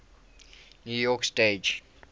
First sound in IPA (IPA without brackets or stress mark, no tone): n